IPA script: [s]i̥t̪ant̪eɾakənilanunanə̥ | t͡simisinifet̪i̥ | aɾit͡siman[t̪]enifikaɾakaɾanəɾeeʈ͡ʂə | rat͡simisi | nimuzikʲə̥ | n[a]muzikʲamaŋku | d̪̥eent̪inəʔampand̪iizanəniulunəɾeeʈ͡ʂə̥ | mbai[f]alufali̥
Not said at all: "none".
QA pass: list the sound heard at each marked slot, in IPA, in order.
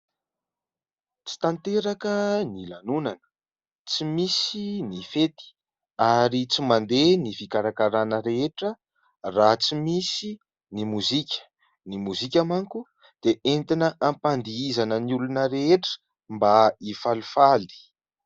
t͡s, d̪, i, f

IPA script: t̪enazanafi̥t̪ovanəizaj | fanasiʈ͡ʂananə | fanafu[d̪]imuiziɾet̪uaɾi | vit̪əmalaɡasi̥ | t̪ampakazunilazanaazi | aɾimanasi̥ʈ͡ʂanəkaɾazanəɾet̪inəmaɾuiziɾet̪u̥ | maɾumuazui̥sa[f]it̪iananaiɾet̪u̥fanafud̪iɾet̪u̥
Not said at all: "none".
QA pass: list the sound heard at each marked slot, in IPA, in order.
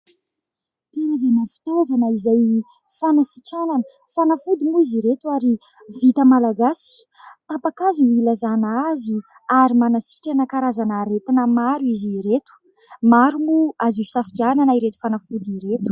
d̪, f

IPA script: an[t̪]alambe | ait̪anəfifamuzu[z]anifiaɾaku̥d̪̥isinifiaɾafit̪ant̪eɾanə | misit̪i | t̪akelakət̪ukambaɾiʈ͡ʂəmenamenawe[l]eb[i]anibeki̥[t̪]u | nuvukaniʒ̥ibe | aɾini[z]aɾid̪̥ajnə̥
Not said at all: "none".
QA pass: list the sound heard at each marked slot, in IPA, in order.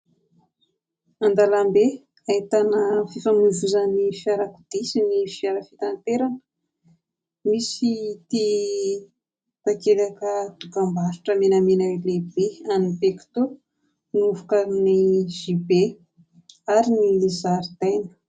d̪, z, l, e, t̪, z

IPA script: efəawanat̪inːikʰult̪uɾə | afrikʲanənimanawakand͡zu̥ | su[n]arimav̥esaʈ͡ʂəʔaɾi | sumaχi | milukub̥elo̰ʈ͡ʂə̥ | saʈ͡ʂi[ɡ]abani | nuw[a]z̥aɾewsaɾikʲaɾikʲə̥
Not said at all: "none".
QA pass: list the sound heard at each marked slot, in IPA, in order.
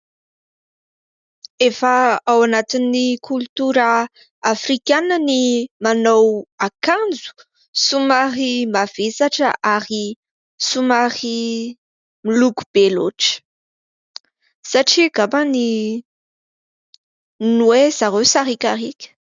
m, ɡ, e

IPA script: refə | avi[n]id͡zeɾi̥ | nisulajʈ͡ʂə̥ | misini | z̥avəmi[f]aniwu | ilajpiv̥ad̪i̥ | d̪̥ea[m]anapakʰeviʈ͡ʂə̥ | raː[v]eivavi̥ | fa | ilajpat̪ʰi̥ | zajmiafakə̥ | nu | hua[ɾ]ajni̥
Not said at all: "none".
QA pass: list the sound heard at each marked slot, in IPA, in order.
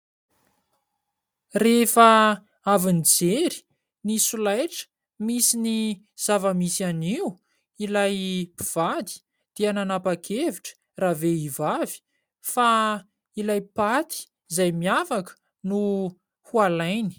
n, s, n, v, l

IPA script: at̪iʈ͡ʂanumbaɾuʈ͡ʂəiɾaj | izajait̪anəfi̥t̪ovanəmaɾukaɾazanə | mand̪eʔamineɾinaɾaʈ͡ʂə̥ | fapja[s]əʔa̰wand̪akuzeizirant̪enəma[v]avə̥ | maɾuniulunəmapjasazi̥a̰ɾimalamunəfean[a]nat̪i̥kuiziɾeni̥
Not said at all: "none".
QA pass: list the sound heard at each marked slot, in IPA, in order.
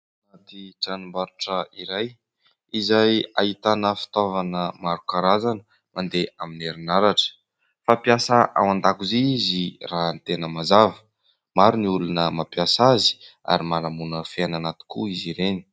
s, z, a

